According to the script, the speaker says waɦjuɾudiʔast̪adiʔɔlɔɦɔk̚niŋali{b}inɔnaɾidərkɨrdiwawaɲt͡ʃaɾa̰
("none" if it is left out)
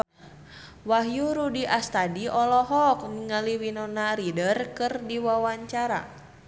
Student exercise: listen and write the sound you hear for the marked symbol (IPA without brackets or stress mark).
w